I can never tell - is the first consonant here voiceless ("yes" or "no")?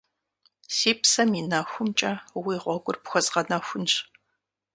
yes